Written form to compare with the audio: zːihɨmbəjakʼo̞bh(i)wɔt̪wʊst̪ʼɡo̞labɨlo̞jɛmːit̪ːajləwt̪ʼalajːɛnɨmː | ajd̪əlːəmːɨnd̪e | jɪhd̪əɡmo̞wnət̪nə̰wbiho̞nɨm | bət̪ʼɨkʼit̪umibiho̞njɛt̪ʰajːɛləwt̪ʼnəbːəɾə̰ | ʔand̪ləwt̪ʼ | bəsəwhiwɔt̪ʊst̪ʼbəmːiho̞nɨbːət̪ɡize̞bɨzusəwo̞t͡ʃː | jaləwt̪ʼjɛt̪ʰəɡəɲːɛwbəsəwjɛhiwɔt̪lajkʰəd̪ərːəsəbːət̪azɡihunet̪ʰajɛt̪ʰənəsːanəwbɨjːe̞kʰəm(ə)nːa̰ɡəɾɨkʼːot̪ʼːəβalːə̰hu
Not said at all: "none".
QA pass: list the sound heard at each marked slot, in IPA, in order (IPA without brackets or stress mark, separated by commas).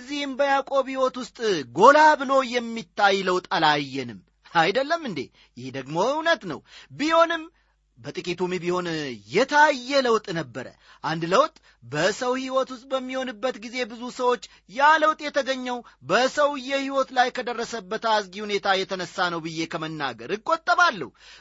i, ə